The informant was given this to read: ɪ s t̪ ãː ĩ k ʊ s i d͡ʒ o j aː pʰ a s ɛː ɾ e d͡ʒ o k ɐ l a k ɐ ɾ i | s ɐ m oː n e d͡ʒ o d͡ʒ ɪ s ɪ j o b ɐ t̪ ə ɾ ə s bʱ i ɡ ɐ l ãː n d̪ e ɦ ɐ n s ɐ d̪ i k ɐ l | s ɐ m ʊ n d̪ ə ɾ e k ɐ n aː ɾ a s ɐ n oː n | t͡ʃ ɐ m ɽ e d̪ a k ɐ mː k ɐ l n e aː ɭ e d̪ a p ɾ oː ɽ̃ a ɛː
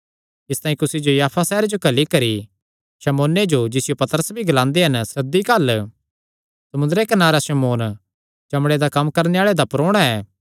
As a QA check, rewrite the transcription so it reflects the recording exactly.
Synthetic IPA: ɪ s t̪ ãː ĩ k ʊ s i d͡ʒ o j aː pʰ a s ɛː ɾ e d͡ʒ o k ɐ l i k ɐ ɾ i | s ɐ m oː n e d͡ʒ o d͡ʒ ɪ s ɪ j o p ɐ t̪ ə ɾ ə s bʱ i ɡ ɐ l ãː n d̪ e ɦ ɐ n s ɐ d̪ i k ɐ l | s ɐ m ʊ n d̪ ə ɾ e k ɐ n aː ɾ a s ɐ m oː n | t͡ʃ ɐ m ɽ e d̪ a k ɐ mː k ɐ ɾ n e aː ɭ e d̪ a p ɾ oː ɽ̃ a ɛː